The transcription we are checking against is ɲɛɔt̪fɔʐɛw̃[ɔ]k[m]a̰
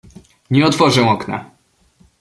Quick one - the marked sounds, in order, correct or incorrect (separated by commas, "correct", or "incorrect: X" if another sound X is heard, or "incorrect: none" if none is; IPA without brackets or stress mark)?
correct, incorrect: n